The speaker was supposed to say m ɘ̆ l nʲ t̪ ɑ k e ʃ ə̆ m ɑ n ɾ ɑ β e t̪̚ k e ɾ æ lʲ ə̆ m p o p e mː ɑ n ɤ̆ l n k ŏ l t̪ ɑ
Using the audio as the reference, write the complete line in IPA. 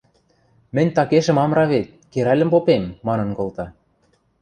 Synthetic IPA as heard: m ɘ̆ nʲ t̪ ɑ k e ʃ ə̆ m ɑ m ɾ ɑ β e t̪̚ k e ɾ æ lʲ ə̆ m p o p e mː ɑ n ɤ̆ n k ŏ l t̪ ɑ